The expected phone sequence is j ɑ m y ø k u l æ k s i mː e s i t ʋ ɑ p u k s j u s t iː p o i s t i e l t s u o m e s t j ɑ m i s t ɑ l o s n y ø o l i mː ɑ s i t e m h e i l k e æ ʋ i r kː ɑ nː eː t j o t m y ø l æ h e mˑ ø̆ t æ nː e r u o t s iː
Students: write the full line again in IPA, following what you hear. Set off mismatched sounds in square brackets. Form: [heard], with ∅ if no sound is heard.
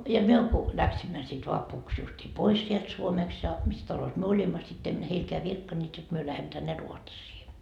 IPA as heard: j ɑ m y ø k u l æ k s i mː [æ] s i t ʋ ɑ p u k s j u s t iː p o i s [s] i e l t s u o m e s t j ɑ m i s t ɑ l o s [m] y ø o l i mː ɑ s i t e m h e i l k e æ ʋ i r kː ɑ nː eː t j o t m y ø l æ h e mˑ ø̆ t æ nː e r u o t s iː